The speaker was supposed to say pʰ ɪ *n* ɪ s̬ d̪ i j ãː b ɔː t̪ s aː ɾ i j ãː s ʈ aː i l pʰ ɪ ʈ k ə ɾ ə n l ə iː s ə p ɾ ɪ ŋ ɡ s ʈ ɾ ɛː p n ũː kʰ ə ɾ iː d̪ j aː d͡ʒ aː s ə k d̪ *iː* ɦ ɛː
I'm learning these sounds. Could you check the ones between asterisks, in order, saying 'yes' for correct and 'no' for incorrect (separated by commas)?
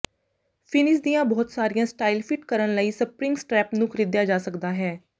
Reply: yes, no